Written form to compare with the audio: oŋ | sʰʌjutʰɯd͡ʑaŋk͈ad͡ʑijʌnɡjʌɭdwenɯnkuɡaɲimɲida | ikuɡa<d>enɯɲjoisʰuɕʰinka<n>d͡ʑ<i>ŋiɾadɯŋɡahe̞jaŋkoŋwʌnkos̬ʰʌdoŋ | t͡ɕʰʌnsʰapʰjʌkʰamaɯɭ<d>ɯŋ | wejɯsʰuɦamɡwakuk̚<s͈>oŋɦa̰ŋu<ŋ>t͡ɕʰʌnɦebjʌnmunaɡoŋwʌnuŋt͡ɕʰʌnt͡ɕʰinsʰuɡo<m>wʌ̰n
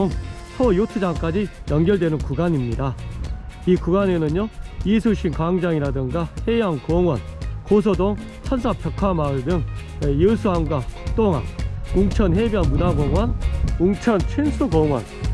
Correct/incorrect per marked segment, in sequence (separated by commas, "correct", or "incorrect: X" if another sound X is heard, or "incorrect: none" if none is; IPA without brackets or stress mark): incorrect: n, incorrect: ŋ, incorrect: a, correct, incorrect: t͈, correct, incorrect: ŋ